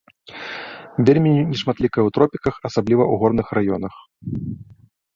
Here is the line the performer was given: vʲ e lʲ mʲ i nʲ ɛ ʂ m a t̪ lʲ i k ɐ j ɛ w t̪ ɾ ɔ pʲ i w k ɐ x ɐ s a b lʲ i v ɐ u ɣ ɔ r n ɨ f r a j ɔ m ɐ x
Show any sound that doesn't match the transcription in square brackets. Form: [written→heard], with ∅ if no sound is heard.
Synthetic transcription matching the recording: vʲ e lʲ mʲ i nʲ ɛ ʂ m a t̪ lʲ i k ɐ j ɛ w t̪ ɾ ɔ pʲ i [w→∅] k ɐ x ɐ s a b lʲ i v ɐ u ɣ ɔ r n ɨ [f→x] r a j ɔ [m→n] ɐ x